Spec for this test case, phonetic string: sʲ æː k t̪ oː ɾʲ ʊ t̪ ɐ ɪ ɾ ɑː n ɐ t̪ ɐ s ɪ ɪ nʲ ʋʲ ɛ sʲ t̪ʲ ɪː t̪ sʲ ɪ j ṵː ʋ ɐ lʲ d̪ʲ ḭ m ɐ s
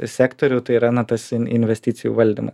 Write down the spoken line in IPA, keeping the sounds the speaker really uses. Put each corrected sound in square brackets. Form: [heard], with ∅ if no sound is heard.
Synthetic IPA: sʲ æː k t̪ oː ɾʲ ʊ t̪ ɐ ɪ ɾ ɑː n ɐ t̪ ɐ s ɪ ɪ nʲ ʋʲ ɛ sʲ t̪ʲ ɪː t̪ sʲ ɪ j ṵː ʋ ɐ lʲ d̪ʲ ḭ m ɐ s